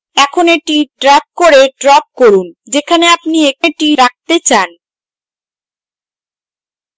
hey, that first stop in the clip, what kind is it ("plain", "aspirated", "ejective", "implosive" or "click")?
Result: aspirated